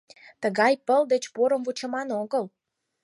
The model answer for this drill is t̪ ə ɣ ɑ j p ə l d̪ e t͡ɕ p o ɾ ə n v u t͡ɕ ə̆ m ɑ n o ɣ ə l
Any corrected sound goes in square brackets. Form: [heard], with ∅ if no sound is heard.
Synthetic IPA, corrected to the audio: t̪ ə ɣ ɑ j p ə l d̪ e t͡ɕ p o ɾ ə [m] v u t͡ɕ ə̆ m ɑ n o ɣ ə l

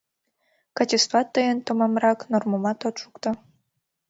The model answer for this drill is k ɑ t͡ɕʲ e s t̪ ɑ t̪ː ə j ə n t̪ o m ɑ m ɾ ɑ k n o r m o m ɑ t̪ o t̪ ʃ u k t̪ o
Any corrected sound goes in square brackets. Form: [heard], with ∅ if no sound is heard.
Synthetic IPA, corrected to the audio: k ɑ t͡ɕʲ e s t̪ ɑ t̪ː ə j ə n t̪ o m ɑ m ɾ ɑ k n o r m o m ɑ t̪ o t̪ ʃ u k t̪ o

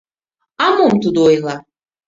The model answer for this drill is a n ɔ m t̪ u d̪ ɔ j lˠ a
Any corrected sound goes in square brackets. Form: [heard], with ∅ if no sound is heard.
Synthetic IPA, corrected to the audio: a [m] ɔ m t̪ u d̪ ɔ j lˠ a

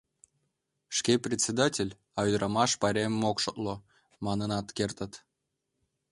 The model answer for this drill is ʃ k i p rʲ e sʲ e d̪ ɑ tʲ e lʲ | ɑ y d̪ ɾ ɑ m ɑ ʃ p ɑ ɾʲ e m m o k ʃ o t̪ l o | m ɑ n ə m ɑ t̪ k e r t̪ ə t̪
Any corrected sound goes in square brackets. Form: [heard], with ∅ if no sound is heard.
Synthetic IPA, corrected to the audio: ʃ k [e] p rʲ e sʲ e d̪ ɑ tʲ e lʲ | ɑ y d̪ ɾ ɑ m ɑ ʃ p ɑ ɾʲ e m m o k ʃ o t̪ l o | m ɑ n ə [n] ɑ t̪ k e r t̪ ə t̪

